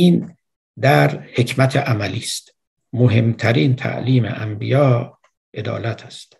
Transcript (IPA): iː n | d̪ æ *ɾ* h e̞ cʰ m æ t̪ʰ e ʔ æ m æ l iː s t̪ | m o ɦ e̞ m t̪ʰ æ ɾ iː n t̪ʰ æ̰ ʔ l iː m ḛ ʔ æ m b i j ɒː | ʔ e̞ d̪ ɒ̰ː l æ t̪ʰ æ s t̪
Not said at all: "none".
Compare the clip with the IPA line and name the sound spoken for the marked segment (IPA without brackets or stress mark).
ɾ